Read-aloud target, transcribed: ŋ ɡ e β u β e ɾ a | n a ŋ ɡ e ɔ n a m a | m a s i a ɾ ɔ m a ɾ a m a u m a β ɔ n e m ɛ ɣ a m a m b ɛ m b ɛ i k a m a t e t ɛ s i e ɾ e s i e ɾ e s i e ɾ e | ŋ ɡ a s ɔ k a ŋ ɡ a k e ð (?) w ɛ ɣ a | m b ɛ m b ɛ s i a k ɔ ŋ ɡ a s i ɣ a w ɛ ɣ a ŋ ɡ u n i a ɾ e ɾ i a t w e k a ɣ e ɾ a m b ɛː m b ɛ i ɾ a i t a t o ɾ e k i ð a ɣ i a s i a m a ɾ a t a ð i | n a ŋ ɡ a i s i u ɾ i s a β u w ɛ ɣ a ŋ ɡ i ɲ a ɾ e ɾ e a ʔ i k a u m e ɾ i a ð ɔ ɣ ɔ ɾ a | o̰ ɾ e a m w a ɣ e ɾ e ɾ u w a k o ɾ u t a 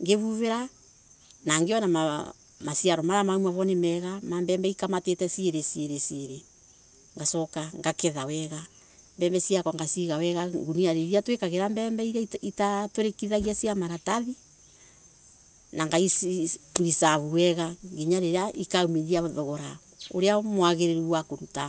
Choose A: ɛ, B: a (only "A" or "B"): B